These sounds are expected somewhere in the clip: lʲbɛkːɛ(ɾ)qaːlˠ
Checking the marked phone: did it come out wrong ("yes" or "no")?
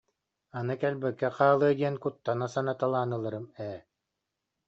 yes